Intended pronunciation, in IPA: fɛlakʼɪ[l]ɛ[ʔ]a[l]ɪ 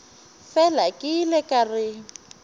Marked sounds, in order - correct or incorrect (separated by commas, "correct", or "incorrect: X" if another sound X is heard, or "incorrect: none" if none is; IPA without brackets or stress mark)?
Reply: correct, incorrect: k, incorrect: r